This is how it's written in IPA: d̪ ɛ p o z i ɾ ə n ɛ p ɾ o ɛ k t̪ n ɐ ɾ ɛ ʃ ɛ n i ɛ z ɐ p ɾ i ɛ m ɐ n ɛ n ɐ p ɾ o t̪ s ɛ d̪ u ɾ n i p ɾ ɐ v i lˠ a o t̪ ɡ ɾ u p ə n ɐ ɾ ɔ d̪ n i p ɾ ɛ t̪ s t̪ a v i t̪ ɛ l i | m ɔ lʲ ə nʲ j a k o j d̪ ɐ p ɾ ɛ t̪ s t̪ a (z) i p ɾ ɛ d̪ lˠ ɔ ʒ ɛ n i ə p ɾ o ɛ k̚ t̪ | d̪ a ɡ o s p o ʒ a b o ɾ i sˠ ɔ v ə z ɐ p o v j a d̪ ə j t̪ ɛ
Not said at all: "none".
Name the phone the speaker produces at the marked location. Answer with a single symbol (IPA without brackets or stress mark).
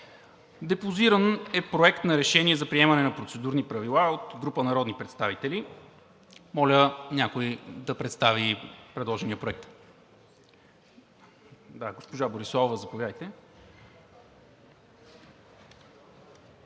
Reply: v